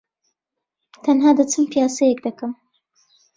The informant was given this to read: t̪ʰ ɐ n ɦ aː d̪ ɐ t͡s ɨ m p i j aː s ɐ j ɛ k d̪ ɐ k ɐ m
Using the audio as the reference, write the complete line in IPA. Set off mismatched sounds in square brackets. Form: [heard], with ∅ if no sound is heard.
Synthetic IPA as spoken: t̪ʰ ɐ n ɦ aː d̪ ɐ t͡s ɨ m p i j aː s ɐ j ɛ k d̪ ɐ k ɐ m